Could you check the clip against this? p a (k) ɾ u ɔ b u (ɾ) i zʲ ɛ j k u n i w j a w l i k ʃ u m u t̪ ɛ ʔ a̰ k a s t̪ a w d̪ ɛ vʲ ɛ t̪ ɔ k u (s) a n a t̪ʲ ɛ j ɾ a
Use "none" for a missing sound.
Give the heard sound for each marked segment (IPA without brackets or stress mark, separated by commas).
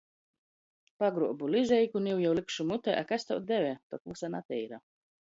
ɡ, l, s